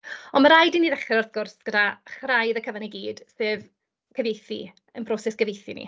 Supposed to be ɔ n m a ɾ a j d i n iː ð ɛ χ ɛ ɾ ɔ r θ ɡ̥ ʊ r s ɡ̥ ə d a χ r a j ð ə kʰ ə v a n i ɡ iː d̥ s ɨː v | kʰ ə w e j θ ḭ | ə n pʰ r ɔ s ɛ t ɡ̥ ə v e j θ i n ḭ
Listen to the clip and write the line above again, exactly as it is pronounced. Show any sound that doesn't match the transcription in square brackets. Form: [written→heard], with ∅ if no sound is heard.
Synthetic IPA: ɔ n m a ɾ a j d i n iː ð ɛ χ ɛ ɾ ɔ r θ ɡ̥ ʊ r s ɡ̥ ə d a χ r a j ð ə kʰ ə v a n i ɡ iː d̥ s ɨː v | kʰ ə [w→v] e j θ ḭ | ə n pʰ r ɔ s ɛ [t→s] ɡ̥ ə v e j θ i n ḭ